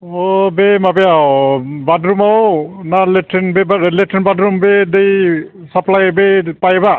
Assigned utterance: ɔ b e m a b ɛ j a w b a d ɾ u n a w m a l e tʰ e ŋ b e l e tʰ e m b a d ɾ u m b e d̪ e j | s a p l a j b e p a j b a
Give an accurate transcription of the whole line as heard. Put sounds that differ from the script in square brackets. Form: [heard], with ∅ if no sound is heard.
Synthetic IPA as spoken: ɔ b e m a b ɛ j a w b a d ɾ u [m] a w [n] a l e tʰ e [n] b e l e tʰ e [n] b a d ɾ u m b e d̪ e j | s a p l a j b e p a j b a

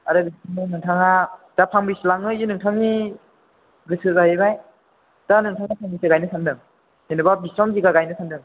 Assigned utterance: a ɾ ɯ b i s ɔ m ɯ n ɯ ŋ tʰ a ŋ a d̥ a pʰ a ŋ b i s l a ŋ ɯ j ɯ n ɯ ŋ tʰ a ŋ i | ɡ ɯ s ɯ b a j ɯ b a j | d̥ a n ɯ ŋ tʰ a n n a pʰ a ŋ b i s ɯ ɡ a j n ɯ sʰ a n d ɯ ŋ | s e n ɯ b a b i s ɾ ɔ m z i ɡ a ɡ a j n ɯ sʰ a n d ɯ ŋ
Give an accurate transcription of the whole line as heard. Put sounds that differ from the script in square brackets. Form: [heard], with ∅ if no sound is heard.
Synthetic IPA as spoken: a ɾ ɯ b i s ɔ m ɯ n ɯ ŋ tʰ a ŋ a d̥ a pʰ a ŋ b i s l a ŋ ɯ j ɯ n ɯ ŋ tʰ a ŋ i | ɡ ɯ s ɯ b a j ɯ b a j | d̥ a n ɯ ŋ tʰ a [ŋ] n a pʰ a ŋ b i s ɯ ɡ a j n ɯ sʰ a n d ɯ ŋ | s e n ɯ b a b i s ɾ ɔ m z i ɡ a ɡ a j n ɯ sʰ a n d ɯ ŋ

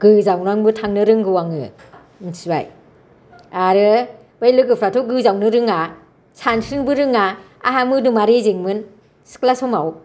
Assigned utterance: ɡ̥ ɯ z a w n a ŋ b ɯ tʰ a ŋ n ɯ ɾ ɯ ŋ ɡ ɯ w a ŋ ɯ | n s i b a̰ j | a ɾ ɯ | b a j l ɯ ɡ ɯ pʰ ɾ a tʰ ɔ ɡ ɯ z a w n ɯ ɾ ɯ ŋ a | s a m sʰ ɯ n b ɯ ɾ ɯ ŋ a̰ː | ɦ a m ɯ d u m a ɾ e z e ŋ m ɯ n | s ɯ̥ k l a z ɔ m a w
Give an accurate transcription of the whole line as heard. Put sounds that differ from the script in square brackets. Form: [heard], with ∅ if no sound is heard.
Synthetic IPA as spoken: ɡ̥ ɯ z a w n a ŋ b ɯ tʰ a ŋ n ɯ ɾ ɯ ŋ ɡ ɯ w a ŋ ɯ | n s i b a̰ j | a ɾ ɯ | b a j l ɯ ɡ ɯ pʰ ɾ a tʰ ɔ ɡ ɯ z a w n ɯ ɾ ɯ ŋ a | s a [n] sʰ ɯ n b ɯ ɾ ɯ ŋ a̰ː | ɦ a m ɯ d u m a ɾ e z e ŋ m ɯ n | s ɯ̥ k l a [s] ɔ m a w

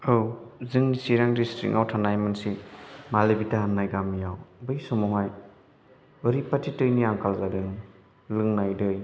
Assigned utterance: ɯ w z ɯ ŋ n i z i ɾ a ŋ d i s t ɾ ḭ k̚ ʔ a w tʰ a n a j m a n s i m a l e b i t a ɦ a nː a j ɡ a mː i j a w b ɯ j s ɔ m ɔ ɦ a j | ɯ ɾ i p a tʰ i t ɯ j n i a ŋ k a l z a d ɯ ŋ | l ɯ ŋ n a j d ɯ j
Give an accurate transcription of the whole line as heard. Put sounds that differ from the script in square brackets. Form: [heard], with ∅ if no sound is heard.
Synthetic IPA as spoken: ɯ w z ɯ ŋ n i [s] i ɾ a ŋ d i s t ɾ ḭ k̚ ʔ a w tʰ a n a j m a n s i m a l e b i t a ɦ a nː a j ɡ a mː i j a w b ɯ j s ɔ m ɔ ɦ a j | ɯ ɾ i p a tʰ i t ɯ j n i a ŋ k a l z a d ɯ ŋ | l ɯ ŋ n a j d ɯ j

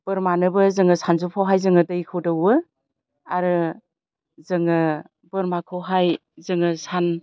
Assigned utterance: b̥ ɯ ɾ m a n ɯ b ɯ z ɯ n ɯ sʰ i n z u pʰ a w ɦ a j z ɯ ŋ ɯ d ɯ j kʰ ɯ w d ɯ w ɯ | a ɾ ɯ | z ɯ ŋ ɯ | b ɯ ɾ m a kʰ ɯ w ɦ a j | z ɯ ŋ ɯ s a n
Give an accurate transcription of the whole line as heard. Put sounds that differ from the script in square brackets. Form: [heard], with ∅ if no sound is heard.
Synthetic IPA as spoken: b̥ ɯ ɾ m a n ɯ b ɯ z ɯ [ŋ] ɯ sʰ [a] n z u pʰ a w ɦ a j z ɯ ŋ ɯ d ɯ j kʰ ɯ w d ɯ w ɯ | a ɾ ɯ | z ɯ ŋ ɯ | b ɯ ɾ m a kʰ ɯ w ɦ a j | z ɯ ŋ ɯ s a n

